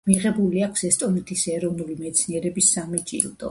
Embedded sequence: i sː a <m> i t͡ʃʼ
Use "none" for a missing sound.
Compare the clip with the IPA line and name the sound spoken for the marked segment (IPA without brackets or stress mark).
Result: m